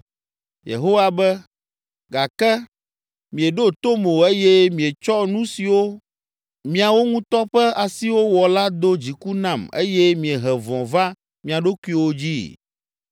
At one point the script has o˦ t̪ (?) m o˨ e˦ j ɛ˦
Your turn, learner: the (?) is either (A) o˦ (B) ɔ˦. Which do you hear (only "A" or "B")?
A